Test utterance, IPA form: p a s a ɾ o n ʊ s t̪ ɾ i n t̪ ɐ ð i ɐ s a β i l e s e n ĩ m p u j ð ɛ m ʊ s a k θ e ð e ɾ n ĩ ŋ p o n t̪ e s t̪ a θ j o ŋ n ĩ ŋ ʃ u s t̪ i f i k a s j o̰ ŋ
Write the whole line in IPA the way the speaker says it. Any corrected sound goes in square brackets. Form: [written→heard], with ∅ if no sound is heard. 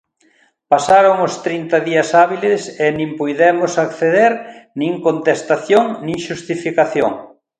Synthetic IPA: p a s a ɾ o [n→ŋ] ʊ s t̪ ɾ i n t̪ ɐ ð i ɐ s a β i l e s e n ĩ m p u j ð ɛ m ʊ s a k θ e ð e ɾ n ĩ ŋ [p→k] o n t̪ e s t̪ a θ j o ŋ n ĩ ŋ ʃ u s t̪ i f i k a [s→θ] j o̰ ŋ